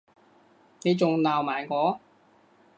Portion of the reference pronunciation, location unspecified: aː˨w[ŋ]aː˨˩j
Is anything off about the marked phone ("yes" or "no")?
yes